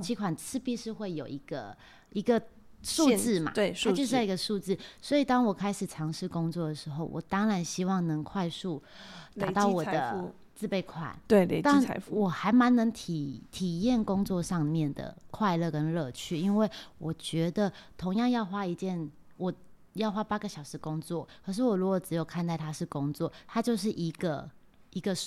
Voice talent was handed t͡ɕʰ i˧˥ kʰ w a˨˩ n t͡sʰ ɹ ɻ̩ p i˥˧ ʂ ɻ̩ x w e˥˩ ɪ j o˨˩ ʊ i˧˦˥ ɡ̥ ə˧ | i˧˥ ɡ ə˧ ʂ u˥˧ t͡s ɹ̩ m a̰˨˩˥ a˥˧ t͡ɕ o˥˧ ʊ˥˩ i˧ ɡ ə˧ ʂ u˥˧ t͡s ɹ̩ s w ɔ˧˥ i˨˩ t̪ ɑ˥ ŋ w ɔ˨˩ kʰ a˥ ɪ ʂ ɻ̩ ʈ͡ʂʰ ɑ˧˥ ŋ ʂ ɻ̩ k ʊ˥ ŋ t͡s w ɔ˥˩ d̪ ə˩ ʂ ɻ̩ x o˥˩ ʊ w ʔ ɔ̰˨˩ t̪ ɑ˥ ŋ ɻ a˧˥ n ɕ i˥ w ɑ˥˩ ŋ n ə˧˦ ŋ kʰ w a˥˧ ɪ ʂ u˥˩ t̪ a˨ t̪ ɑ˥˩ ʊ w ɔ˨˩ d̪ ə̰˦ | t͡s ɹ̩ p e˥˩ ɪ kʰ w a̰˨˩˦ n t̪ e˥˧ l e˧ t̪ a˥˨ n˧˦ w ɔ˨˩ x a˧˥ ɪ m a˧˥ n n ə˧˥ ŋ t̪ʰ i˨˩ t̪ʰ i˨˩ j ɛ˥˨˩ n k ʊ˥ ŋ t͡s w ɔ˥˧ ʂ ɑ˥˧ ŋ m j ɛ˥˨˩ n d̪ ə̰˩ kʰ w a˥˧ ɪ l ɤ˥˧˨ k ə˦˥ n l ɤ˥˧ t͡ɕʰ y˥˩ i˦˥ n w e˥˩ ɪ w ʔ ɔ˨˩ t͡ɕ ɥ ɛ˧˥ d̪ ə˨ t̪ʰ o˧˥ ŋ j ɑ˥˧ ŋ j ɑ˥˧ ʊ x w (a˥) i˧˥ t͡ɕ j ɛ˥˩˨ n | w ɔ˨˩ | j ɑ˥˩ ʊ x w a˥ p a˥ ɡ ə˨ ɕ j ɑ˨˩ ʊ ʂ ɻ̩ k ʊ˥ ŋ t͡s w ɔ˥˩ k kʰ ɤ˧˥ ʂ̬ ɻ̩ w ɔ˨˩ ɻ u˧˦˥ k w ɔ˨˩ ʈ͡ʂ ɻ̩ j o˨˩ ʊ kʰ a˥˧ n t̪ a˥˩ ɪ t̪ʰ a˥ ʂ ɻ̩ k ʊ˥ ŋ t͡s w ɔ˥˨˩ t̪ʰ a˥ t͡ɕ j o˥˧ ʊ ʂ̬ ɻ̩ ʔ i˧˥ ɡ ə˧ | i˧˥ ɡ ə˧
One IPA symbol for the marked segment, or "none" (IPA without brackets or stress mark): a˥